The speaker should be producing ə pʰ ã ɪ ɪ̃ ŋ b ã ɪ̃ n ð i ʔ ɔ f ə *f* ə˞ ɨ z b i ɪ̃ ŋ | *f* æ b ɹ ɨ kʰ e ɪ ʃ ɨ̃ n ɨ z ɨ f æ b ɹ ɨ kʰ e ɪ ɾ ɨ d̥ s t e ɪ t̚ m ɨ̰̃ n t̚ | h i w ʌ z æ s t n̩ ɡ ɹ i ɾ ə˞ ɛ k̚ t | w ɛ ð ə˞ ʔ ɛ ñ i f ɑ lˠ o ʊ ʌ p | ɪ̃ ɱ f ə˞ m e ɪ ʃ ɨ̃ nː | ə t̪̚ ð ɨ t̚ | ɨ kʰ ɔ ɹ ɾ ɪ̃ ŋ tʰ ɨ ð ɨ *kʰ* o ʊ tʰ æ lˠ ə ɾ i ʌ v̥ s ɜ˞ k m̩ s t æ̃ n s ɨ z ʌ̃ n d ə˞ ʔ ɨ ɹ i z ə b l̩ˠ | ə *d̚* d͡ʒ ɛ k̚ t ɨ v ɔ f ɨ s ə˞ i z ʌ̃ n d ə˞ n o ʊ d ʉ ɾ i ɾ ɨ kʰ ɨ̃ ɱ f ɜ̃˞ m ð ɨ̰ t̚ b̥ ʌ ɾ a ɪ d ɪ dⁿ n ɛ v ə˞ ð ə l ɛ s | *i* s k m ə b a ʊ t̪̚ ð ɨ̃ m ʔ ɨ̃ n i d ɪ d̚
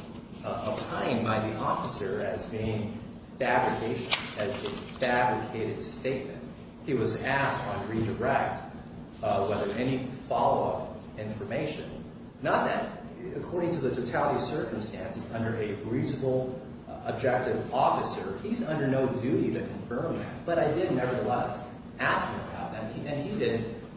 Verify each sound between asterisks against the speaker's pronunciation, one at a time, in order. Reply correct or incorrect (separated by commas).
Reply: incorrect, correct, incorrect, incorrect, incorrect